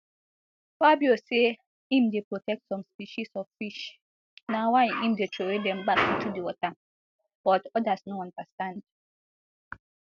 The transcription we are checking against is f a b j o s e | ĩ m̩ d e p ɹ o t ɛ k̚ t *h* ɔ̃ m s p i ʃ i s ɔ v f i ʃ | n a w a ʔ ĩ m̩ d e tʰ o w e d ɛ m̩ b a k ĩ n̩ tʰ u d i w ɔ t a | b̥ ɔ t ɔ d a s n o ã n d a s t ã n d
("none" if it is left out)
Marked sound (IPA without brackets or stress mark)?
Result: s